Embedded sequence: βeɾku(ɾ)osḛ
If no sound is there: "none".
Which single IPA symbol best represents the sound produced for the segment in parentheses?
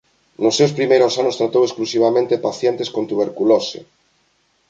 l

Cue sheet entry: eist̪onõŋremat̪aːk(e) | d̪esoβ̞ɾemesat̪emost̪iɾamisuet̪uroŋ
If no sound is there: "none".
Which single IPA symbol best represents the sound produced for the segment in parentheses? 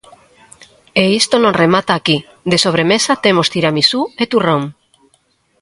i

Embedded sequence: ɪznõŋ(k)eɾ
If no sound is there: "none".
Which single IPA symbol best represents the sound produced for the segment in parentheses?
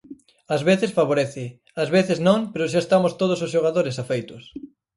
p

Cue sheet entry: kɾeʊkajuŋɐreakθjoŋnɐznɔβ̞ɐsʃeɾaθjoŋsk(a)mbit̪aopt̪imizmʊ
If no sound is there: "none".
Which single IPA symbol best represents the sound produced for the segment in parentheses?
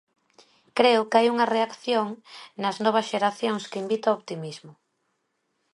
i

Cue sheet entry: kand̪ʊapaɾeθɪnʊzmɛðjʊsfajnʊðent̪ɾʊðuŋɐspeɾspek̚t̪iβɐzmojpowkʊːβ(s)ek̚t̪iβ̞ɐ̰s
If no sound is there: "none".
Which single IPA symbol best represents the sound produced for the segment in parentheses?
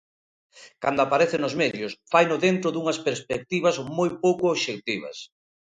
ʃ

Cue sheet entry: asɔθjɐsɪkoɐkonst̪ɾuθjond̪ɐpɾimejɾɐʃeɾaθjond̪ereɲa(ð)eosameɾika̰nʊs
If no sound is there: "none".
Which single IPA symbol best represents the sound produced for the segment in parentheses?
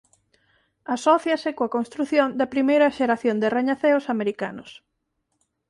θ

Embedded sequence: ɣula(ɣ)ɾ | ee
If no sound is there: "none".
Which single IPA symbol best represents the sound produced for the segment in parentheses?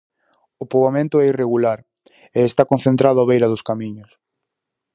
none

